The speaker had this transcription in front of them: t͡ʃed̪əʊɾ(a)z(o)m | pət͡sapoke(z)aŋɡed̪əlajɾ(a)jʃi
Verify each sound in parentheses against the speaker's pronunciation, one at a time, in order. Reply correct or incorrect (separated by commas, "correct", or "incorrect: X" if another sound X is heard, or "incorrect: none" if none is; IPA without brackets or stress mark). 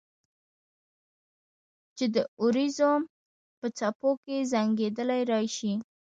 incorrect: i, correct, correct, incorrect: ɑ